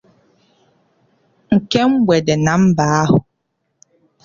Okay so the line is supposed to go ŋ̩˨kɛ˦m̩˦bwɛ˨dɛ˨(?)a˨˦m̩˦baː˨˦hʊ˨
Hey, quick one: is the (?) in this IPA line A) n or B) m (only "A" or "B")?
A